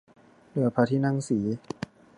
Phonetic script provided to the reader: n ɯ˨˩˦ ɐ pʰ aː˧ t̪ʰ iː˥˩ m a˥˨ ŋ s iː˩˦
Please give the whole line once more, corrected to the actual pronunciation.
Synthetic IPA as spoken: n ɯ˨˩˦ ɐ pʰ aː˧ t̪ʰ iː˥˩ n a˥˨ ŋ s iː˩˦